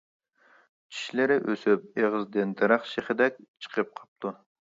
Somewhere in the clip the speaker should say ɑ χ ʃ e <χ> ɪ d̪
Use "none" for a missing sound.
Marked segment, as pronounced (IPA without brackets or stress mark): χ